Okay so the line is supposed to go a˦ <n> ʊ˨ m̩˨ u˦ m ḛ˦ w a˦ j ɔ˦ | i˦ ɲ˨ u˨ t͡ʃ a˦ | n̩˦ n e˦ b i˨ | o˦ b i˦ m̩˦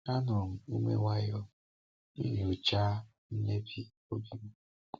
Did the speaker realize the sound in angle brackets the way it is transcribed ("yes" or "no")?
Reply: yes